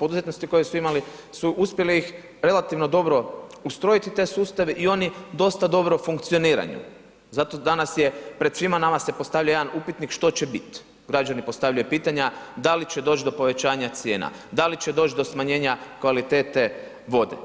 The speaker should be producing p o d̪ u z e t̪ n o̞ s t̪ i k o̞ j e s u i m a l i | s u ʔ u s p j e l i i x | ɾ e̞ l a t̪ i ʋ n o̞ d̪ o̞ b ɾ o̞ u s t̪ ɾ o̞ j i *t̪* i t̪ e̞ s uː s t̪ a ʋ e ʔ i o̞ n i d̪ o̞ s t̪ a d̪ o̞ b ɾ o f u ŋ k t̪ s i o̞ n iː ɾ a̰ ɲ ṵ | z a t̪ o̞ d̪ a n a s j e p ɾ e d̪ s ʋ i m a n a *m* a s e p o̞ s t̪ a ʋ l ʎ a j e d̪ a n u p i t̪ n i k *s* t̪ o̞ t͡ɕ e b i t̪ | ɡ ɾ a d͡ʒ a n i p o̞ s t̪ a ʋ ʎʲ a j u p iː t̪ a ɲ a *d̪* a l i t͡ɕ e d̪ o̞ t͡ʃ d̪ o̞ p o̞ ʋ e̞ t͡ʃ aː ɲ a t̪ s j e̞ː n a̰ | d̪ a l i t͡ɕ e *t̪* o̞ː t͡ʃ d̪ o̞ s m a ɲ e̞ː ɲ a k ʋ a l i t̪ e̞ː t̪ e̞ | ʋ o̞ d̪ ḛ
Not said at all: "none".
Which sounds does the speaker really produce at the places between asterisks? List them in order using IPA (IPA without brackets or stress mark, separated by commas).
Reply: t̪, m, ʃ, d̪, d̪